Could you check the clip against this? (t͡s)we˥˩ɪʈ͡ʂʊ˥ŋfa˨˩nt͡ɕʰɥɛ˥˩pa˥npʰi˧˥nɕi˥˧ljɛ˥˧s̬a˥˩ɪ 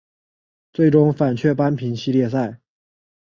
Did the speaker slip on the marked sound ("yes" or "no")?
no